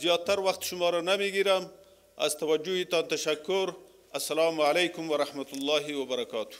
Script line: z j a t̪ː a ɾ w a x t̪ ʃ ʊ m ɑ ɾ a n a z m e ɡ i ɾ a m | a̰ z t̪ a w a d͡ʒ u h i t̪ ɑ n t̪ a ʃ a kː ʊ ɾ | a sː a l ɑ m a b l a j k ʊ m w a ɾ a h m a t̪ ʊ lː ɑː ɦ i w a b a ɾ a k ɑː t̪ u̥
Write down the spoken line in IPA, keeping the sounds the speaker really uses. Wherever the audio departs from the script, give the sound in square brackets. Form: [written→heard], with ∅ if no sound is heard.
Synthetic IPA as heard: z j [a→ɑ] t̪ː a ɾ w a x t̪ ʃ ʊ m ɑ ɾ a n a [z→∅] m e ɡ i ɾ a m | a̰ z t̪ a w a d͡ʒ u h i t̪ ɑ n t̪ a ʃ a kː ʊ ɾ | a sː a l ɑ m a [b→∅] l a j k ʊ m w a ɾ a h m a t̪ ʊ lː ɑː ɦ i w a b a ɾ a k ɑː t̪ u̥